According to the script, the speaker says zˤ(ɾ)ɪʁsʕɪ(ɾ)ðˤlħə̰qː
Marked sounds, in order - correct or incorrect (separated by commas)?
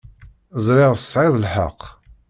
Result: correct, incorrect